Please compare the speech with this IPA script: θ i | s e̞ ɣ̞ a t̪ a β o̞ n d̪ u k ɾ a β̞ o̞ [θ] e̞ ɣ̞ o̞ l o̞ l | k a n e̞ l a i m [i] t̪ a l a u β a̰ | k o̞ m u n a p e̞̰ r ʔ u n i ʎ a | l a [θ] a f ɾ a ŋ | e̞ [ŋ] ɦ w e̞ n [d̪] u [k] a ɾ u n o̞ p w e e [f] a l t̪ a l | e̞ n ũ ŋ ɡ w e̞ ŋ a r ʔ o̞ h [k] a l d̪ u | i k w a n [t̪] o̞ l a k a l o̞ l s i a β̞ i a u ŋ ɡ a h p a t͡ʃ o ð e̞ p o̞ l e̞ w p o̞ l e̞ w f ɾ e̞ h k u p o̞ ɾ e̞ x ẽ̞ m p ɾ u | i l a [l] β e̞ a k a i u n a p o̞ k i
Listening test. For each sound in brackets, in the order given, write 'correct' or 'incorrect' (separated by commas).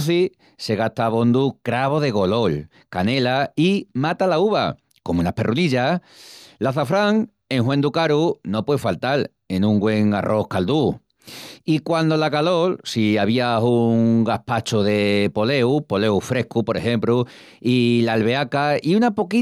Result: incorrect, incorrect, correct, correct, correct, correct, correct, correct, incorrect, correct